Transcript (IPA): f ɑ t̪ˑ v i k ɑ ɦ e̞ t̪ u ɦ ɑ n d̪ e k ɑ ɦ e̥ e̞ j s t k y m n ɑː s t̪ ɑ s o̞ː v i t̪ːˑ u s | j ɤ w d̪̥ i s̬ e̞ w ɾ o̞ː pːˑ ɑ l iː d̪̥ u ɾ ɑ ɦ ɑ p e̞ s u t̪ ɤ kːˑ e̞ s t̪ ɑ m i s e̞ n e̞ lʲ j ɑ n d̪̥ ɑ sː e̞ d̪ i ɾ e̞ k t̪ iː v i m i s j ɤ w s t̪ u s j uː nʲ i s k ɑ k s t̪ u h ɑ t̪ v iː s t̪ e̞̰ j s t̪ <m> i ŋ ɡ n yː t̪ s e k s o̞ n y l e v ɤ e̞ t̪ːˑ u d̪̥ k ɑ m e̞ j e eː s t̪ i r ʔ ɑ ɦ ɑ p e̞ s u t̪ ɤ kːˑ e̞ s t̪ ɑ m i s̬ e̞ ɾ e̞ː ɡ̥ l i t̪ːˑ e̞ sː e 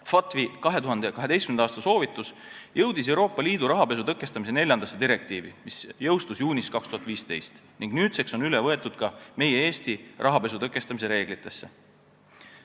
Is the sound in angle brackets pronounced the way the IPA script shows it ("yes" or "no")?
no